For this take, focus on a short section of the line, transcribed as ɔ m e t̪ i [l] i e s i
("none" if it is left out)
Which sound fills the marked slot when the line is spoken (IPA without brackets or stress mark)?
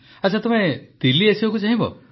l